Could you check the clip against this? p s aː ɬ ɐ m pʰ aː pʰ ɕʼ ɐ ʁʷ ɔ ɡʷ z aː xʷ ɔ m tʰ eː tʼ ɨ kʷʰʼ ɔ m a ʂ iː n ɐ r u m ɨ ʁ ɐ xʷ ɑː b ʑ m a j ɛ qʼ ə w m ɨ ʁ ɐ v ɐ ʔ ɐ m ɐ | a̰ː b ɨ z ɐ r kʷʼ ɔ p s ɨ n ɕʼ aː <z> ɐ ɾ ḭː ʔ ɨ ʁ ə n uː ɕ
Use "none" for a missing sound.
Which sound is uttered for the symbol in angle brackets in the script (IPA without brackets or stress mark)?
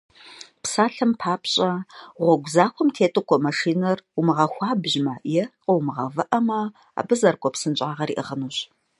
ʁ